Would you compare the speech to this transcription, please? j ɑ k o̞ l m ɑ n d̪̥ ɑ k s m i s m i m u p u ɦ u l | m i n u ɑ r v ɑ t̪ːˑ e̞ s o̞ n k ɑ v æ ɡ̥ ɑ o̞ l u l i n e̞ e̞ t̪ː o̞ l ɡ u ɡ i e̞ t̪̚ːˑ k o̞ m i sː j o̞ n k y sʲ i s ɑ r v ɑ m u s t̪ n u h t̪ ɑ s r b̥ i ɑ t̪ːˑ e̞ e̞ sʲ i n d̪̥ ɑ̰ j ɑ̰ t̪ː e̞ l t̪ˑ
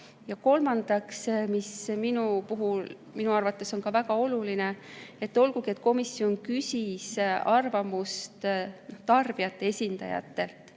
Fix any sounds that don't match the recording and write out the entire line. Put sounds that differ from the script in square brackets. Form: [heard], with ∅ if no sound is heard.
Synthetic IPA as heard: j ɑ k o̞ l m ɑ n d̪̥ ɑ k s m i s m i [n] u p u ɦ u l | m i n u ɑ r v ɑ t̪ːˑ e̞ s o̞ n k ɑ v æ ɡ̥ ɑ o̞ l u l i n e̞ e̞ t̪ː o̞ l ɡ u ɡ i e̞ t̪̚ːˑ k o̞ m i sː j o̞ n k y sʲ i s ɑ r v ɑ m u s t̪ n [o] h t̪ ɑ [∅] r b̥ i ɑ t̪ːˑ e̞ e̞ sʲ i n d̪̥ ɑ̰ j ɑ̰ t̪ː e̞ l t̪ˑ